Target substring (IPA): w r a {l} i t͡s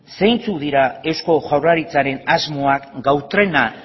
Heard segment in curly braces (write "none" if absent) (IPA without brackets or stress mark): ɾ